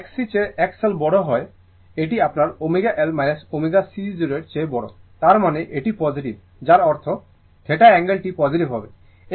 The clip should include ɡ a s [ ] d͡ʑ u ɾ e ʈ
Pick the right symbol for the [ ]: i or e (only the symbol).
i